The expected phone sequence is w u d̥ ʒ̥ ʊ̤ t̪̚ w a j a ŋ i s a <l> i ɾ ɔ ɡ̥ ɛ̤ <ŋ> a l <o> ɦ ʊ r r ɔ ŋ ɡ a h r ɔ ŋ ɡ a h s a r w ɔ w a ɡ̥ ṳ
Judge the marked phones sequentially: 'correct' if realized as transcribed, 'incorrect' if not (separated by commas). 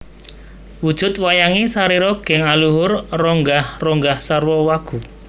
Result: incorrect, correct, incorrect